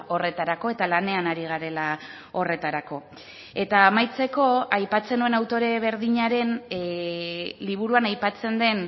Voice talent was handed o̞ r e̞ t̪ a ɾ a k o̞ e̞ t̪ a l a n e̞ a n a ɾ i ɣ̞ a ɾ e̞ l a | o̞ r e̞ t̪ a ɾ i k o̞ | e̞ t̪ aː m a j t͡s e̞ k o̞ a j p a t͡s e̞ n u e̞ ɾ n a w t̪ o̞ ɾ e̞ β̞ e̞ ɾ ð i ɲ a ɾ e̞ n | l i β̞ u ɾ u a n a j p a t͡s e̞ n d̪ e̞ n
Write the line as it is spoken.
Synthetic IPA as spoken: o̞ r e̞ t̪ a ɾ a k o̞ e̞ t̪ a l a n e̞ a n a ɾ i ɣ̞ a ɾ e̞ l a | o̞ r e̞ t̪ a ɾ a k o̞ | e̞ t̪ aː m a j t͡s e̞ k o̞ a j p a t͡s e̞ n u e̞ n a w t̪ o̞ ɾ e̞ β̞ e̞ ɾ ð i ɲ a ɾ e̞ n | l i β̞ u ɾ u a n a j p a t͡s e̞ n d̪ e̞ n